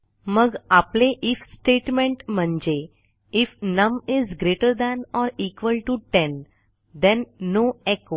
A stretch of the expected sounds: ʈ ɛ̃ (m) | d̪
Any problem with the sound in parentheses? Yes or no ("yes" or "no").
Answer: yes